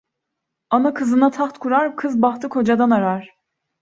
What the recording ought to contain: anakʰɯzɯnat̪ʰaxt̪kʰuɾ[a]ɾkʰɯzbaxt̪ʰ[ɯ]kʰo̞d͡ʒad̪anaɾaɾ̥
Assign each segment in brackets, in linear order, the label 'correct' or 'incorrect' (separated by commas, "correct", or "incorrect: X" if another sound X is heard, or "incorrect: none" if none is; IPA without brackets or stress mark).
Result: correct, correct